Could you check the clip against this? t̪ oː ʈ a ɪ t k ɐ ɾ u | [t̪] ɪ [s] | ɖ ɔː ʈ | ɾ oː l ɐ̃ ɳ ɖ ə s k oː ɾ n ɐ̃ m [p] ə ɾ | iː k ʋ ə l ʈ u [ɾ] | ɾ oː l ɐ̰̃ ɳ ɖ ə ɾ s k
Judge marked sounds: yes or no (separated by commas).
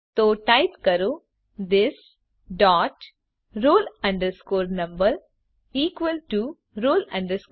no, yes, no, no